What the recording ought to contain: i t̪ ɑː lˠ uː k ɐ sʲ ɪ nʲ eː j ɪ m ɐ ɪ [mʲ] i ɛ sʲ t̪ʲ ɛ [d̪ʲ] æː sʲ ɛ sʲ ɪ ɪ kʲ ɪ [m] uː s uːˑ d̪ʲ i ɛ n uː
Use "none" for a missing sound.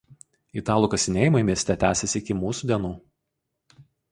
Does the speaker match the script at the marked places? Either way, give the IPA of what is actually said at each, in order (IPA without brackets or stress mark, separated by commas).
mʲ, t̪ʲ, m